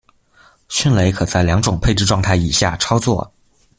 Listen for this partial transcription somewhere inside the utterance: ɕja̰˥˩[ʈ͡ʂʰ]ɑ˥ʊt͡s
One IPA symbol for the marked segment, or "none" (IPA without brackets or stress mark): ʈ͡ʂʰ